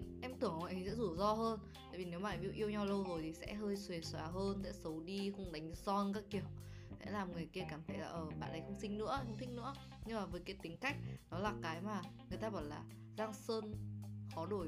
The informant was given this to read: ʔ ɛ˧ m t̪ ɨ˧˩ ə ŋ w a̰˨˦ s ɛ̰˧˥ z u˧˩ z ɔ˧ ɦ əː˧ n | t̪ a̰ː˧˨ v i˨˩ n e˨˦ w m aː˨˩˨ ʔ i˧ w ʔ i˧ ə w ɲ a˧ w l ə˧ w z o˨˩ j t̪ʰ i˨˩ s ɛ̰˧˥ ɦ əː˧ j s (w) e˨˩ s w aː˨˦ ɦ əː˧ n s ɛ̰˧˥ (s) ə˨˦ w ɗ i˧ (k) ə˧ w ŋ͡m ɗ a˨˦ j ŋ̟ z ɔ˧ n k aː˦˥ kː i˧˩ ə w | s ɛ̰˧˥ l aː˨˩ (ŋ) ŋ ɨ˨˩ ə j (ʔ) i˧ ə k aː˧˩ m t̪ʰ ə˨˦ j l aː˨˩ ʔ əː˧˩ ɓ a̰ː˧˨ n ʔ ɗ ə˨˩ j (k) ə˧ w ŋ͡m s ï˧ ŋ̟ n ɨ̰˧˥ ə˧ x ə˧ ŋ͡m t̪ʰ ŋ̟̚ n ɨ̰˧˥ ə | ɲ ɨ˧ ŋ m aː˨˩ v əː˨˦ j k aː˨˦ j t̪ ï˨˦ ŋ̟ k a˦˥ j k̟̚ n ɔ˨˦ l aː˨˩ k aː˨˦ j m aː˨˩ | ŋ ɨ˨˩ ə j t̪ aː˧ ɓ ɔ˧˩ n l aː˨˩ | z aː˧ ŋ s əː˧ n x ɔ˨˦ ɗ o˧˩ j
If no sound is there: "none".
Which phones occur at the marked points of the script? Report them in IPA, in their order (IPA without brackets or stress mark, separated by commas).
w, s, x, m, k, x